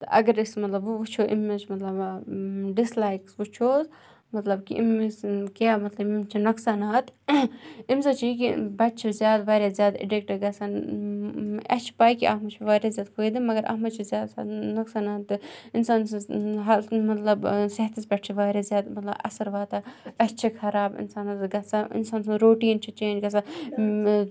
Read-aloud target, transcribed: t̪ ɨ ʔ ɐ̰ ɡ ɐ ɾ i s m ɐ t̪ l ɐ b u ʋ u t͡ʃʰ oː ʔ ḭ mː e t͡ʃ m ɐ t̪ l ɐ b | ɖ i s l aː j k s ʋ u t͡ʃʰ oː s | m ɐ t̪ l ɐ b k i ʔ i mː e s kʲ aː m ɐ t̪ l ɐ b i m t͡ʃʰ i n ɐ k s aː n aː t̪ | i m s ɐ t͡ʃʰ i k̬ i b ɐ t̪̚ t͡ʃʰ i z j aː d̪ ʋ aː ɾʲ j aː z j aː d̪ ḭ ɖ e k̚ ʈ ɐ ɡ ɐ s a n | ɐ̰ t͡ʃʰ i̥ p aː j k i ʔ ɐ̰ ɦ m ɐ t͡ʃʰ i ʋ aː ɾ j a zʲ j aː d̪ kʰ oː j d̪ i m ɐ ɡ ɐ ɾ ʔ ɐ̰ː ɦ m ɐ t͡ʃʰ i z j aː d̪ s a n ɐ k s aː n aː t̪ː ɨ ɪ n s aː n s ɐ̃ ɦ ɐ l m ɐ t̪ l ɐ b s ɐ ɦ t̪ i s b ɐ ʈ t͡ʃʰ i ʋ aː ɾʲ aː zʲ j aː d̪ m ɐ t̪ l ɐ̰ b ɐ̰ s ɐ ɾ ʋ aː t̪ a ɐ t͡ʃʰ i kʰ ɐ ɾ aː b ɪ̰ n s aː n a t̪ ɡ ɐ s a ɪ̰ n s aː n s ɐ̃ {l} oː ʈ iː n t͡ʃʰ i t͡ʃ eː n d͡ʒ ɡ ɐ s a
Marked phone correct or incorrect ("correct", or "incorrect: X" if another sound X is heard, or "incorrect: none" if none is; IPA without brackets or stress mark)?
incorrect: ɾ